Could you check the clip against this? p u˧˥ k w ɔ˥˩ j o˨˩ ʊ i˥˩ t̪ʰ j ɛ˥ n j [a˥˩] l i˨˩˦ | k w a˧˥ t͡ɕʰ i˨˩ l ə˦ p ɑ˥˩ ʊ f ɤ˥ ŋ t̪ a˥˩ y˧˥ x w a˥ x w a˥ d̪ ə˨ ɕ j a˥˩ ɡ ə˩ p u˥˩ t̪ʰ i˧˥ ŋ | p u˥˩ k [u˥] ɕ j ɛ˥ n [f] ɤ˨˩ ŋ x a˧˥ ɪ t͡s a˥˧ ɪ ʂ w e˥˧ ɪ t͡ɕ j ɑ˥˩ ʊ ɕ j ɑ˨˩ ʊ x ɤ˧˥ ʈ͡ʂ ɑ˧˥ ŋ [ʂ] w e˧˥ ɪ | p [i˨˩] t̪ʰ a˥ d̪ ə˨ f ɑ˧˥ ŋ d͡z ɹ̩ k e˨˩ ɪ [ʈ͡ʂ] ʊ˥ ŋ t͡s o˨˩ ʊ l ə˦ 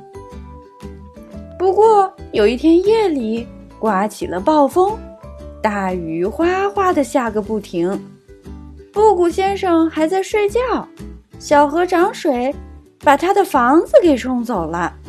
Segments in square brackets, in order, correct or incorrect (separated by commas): incorrect, incorrect, incorrect, correct, incorrect, incorrect